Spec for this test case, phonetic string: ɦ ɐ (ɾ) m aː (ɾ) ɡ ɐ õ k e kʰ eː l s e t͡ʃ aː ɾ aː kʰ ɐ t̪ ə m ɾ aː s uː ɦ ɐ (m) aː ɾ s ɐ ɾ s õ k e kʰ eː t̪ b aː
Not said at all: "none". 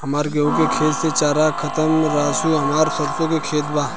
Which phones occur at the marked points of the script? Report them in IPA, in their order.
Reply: none, ɾ, m

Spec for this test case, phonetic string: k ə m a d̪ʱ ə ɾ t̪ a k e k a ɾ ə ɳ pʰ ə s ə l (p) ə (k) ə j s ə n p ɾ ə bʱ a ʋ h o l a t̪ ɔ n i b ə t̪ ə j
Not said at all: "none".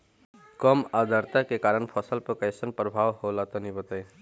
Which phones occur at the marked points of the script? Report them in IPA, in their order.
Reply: p, k

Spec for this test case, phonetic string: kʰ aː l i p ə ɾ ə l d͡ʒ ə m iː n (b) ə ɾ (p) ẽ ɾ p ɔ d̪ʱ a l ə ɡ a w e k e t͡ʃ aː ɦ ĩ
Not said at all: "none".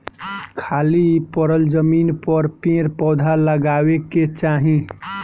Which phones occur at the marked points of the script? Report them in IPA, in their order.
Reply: p, p

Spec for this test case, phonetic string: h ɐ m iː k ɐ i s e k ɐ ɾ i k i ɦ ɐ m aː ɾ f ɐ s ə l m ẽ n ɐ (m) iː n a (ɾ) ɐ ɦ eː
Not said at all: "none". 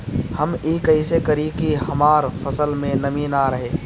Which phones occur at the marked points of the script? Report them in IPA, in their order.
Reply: m, ɾ

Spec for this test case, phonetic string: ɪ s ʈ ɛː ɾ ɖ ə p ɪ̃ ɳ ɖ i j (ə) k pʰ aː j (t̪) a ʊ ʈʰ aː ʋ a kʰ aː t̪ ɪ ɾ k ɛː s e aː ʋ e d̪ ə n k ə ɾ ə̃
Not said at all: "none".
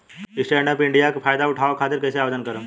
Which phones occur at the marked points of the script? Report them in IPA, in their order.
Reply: a, d̪

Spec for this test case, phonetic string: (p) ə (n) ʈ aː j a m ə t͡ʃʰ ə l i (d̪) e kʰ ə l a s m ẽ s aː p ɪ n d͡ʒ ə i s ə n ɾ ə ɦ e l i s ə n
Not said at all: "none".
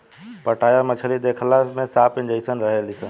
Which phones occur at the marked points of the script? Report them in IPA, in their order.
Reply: p, none, d̪

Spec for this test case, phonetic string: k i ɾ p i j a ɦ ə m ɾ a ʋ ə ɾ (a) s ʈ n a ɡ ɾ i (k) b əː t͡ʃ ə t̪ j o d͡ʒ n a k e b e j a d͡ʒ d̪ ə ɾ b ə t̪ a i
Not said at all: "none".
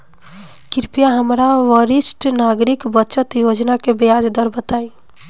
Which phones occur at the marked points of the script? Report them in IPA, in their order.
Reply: i, k

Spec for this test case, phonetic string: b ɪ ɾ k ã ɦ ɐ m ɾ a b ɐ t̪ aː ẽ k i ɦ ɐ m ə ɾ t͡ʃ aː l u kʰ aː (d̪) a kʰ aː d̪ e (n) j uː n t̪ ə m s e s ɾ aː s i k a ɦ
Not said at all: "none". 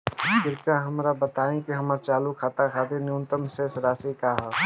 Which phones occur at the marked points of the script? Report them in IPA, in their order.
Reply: t̪, n

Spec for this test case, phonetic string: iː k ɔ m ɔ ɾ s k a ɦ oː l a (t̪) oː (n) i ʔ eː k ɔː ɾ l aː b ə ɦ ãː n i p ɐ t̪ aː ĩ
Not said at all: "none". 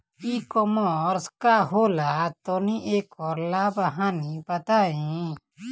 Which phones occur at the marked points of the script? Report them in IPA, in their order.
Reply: t̪, n

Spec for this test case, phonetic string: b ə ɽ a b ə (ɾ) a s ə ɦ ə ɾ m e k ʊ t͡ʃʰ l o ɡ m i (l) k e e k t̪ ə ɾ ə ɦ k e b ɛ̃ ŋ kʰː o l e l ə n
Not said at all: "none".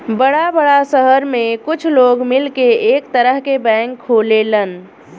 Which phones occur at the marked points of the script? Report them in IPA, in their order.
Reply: ɽ, l

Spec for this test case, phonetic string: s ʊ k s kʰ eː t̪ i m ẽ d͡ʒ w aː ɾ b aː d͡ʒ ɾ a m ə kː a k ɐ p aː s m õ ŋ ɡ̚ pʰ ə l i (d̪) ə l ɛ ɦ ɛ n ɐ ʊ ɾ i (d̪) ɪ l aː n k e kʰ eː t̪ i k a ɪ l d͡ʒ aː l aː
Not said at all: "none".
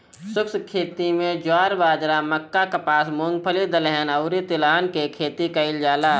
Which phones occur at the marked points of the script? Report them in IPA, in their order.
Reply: d̪, t̪

